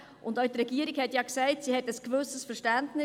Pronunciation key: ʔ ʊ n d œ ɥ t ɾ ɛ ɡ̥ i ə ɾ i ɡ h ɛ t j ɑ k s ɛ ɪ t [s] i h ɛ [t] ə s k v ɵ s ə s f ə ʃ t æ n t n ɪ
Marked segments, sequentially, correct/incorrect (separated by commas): correct, correct